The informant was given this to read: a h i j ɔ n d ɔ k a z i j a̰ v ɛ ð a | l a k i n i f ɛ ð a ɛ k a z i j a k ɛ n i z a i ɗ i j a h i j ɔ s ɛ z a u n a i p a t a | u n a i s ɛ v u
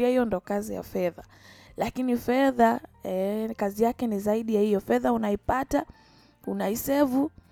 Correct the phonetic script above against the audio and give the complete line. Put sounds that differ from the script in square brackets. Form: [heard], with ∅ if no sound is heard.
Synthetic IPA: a h i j ɔ n d ɔ k a z i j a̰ [f] ɛ ð a | l a k i n i f ɛ ð a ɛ k a z i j a k ɛ n i z a i ɗ i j a h i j ɔ [f] ɛ [ð] a u n a i p a t a | u n a i s ɛ v u